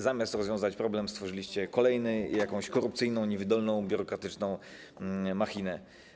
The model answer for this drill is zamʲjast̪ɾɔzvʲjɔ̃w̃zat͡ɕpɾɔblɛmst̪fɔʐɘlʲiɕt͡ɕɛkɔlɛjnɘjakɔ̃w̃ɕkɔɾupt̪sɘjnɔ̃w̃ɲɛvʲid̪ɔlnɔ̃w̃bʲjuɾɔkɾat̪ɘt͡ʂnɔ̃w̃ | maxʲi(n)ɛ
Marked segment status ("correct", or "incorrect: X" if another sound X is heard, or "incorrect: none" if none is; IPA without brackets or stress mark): correct